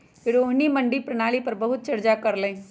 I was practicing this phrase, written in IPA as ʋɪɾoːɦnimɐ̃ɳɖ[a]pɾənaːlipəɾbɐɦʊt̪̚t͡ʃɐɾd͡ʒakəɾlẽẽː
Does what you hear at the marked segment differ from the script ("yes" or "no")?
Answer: yes